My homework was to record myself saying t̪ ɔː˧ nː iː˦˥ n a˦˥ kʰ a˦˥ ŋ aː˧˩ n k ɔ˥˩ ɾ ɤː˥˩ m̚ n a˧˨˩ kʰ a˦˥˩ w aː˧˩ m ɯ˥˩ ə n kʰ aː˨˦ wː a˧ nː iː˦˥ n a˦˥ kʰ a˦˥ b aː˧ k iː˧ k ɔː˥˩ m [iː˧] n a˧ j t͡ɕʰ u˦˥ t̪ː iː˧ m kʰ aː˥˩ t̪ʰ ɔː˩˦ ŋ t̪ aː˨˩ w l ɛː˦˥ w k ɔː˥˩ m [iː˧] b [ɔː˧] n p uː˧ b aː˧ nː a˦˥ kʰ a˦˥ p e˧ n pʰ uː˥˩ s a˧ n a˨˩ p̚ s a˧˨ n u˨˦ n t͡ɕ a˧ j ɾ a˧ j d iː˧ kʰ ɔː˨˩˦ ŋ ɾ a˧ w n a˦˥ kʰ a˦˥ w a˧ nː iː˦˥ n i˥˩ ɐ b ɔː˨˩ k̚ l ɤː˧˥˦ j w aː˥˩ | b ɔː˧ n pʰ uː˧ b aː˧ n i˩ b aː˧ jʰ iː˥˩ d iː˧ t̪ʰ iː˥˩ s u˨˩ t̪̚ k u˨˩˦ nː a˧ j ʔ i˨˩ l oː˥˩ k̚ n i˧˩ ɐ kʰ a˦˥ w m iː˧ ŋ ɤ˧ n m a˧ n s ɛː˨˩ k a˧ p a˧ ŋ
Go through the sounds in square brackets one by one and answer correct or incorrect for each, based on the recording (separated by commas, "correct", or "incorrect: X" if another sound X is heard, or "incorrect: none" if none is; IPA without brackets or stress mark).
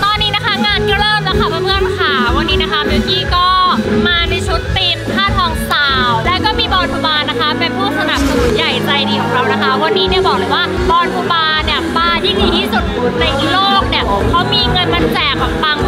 incorrect: aː˧, correct, correct